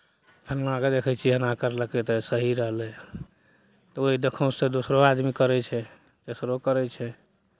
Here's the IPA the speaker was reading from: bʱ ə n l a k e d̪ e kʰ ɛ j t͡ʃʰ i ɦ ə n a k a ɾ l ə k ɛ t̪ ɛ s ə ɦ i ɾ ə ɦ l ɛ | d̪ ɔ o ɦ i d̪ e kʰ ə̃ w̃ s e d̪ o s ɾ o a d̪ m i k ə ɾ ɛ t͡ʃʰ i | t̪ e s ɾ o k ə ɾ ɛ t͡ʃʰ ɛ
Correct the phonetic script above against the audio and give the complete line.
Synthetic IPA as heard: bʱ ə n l a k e d̪ e kʰ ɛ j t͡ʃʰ i ɦ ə n a k ə ɾ l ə k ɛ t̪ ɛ s ə ɦ i ɾ ə ɦ l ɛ | t̪ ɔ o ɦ i d̪ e kʰ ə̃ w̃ s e d̪ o s ɾ o a d̪ m i k ə ɾ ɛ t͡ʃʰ ɛ | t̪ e s ɾ o k ə ɾ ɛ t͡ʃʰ ɛ